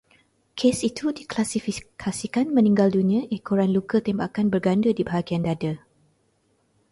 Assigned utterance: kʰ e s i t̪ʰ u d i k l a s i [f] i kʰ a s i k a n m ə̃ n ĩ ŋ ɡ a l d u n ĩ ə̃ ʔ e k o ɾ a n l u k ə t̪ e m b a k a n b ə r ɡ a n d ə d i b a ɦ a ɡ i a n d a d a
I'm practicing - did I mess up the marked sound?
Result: no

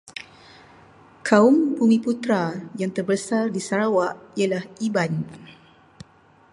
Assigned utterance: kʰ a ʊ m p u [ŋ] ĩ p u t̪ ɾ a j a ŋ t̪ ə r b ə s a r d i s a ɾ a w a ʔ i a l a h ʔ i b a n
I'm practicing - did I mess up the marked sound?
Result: no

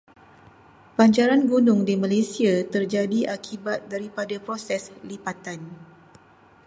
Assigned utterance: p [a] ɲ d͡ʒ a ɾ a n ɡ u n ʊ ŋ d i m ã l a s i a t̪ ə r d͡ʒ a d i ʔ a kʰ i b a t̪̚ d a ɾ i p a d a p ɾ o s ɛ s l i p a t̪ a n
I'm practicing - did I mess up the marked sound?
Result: no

